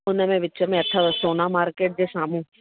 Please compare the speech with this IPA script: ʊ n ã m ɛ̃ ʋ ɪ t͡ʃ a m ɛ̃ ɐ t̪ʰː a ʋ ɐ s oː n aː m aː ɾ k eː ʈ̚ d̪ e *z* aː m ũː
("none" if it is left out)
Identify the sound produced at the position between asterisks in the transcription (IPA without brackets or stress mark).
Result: s